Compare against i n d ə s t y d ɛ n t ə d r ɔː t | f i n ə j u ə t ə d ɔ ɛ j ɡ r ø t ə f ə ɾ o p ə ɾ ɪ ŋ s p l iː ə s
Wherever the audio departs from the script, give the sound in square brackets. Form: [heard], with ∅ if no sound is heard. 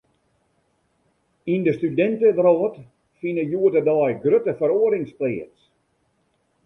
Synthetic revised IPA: i n d ə s t y d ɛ n t ə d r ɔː t | f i n ə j u ə t ə d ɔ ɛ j ɡ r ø t ə f ə ɾ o [∅] ə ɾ ɪ ŋ s p l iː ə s